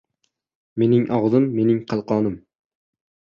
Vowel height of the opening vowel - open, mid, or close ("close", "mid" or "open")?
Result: mid